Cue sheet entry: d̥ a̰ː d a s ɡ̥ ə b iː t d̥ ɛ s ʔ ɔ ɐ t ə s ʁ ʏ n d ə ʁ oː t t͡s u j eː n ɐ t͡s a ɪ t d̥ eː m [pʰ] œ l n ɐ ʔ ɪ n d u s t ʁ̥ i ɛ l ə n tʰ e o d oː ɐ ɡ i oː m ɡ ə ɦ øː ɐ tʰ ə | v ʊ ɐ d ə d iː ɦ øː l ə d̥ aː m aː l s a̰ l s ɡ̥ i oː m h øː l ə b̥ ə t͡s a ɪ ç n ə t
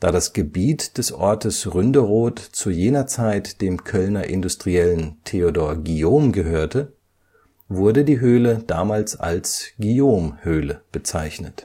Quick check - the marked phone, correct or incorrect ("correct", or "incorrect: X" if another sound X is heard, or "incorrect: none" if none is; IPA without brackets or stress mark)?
incorrect: kʰ